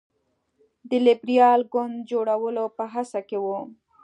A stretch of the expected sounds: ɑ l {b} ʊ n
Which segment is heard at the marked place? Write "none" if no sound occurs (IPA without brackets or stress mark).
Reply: ɡ